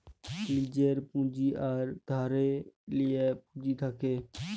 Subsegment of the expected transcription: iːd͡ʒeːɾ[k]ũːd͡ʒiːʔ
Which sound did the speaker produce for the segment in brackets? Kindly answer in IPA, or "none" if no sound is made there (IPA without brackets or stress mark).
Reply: p